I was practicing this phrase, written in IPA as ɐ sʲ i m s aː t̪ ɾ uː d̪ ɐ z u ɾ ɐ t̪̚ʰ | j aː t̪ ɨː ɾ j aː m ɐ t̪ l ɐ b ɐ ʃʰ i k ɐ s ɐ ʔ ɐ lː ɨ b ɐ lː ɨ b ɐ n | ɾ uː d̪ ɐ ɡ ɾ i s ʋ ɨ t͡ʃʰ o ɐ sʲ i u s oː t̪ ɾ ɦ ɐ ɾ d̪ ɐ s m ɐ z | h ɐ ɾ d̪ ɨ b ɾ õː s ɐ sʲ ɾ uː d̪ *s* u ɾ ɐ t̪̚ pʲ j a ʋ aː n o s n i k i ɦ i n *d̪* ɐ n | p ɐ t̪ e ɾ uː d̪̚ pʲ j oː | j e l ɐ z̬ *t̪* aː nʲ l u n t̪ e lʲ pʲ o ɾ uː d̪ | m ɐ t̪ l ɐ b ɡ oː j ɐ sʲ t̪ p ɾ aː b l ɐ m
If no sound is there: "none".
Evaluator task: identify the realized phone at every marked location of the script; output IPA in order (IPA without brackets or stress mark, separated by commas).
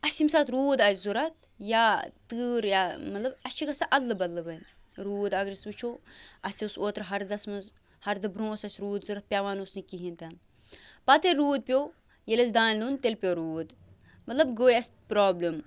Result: z, t̪, d̪